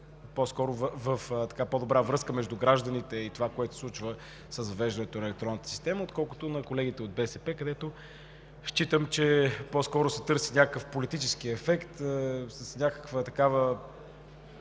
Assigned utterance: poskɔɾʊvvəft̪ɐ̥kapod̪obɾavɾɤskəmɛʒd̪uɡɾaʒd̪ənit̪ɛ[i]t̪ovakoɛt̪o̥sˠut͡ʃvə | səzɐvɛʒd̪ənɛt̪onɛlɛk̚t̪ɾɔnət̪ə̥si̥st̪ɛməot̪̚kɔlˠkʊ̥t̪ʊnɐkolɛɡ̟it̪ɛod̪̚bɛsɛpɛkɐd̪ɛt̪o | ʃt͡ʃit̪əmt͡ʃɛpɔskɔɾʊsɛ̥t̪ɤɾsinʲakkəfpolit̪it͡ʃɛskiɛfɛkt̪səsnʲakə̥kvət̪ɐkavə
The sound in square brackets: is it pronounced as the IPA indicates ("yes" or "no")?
yes